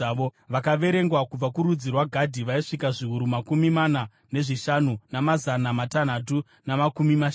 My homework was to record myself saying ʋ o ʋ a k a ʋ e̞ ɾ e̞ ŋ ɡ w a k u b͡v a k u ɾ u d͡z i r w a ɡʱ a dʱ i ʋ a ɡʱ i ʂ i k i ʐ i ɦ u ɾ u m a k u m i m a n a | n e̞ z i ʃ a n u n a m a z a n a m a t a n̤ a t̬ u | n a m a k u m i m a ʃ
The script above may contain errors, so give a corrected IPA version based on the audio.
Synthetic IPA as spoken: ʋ o ʋ a k a ʋ e̞ ɾ e̞ ŋ ɡ w a k u b͡v a k u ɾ u d͡z i r w a ɡʱ a dʱ i ʋ a i ʂ i k a ʐ i ɦ u ɾ u m a k u m i m a n a | n e̞ ʐ i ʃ a n u n a m a z a n a m a t a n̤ a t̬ u | n a m a k u m i m a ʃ